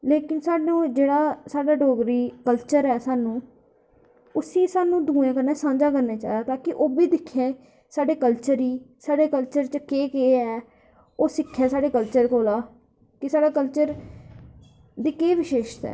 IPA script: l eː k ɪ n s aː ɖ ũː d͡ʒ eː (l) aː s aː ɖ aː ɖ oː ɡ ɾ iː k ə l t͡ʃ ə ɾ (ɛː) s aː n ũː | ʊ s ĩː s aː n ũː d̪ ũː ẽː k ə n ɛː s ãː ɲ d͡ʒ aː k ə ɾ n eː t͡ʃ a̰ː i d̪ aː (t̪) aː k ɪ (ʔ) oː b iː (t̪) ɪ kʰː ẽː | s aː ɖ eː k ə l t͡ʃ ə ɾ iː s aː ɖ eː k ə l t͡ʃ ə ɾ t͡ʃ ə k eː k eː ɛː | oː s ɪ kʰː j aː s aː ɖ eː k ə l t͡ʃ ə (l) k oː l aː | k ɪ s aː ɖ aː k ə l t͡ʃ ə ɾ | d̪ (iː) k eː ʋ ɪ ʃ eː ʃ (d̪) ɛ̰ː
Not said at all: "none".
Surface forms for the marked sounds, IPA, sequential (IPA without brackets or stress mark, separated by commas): ɽ, ɛː, t̪, ʔ, d̪, ɾ, iː, t̪